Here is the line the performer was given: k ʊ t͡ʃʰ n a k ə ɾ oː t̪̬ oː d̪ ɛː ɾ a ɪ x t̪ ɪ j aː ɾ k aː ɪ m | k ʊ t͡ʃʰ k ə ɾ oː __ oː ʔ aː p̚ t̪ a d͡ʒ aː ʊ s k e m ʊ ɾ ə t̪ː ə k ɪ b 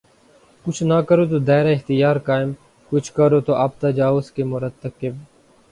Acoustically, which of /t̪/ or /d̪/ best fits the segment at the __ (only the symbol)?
t̪